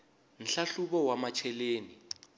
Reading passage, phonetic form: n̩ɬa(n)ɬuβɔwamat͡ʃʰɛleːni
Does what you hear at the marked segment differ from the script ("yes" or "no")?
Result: yes